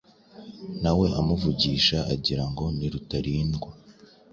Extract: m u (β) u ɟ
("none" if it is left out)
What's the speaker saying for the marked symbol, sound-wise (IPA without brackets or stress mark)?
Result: v